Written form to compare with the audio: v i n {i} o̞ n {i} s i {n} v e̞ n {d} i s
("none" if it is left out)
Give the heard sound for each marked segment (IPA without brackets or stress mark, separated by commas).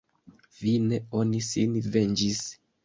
e, i, n, d͡ʒ